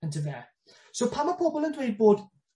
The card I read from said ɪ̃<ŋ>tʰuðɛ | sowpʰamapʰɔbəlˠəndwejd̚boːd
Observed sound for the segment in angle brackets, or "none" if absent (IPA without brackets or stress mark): n